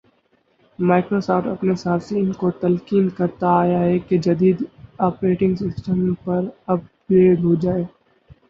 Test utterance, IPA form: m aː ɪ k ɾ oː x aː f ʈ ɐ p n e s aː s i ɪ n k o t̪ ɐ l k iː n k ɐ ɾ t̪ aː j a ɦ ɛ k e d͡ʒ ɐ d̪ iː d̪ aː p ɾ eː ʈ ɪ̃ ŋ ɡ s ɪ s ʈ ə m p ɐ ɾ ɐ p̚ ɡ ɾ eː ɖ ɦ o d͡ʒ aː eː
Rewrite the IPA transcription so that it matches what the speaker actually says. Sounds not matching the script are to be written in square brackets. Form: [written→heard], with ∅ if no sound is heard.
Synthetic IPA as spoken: m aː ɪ k ɾ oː [x→s] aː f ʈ ɐ p n e s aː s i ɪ n k o t̪ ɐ l k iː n k ɐ ɾ t̪ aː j a ɦ ɛ k e d͡ʒ ɐ d̪ iː d̪ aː p ɾ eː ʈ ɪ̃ ŋ ɡ s ɪ s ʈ ə m p ɐ ɾ ɐ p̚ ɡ ɾ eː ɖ ɦ o d͡ʒ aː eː